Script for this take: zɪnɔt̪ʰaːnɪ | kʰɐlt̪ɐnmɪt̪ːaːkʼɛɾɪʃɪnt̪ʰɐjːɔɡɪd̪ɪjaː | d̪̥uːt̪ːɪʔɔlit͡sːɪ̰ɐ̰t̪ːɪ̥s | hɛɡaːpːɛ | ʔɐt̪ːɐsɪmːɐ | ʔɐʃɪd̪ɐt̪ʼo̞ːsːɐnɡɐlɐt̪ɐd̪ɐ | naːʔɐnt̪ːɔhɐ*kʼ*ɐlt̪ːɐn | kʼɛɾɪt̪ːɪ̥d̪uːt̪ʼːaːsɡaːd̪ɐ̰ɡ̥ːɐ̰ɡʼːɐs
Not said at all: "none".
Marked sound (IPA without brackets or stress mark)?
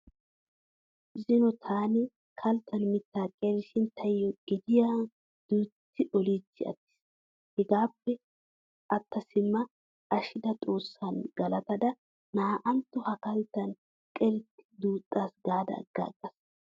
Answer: k